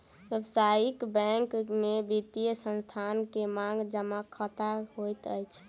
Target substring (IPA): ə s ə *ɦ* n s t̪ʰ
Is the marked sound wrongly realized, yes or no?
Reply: yes